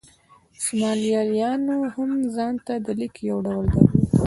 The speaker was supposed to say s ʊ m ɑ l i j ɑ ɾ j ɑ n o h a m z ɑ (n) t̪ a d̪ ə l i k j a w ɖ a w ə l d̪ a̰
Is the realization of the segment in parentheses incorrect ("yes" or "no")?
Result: no